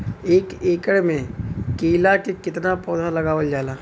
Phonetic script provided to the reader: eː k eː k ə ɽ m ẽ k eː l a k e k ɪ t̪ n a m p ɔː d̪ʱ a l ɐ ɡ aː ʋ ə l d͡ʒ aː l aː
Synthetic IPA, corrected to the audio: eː k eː k ə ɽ m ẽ k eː l a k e k ɪ t̪ n a p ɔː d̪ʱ a l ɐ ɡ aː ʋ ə l d͡ʒ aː l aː